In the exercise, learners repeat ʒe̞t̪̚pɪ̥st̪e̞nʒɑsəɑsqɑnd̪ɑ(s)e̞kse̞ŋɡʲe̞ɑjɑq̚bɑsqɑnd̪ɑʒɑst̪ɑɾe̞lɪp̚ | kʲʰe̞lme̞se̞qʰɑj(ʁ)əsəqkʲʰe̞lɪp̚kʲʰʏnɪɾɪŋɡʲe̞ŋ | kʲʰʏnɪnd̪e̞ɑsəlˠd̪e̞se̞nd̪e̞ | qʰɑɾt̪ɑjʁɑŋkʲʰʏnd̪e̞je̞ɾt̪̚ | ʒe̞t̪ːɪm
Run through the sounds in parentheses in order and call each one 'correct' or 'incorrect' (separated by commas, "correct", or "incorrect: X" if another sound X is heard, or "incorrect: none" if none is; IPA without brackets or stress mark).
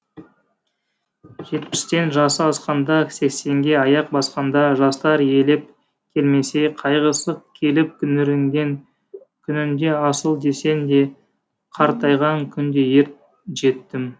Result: correct, correct